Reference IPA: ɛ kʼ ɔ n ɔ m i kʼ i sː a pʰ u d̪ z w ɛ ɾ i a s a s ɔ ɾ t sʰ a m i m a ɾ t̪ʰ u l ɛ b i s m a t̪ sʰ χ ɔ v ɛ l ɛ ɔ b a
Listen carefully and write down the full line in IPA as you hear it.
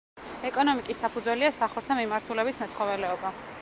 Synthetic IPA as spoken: ɛ kʼ ɔ n ɔ m i kʼ i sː a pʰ u d̪ z w ɛ l i a s a χ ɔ ɾ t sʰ a m i m a ɾ t̪ʰ u l ɛ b i s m ɛ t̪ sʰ χ ɔ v ɛ l ɛ ɔ b a